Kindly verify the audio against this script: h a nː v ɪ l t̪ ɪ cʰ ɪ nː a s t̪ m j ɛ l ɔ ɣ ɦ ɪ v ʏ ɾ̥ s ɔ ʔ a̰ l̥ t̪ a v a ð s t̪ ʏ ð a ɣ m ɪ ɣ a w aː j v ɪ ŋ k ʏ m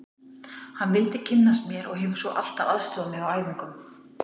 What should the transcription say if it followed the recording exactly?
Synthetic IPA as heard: h a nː v ɪ l t̪ ɪ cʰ ɪ nː a s t̪ m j ɛ ɾ ɔ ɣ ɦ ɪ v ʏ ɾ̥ s ɔ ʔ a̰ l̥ t̪ a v a ð s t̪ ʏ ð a m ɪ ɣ a w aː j v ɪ ŋ k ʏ m